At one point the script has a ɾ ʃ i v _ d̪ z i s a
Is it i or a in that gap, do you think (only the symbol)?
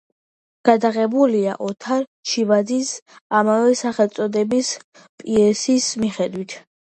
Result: a